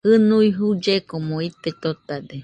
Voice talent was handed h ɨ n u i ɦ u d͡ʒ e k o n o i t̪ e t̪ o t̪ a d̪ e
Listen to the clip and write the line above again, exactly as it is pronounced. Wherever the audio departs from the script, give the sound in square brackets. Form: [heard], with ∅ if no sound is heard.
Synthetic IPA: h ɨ n u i ɦ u d͡ʒ e k o [m] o i t̪ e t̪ o t̪ a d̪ e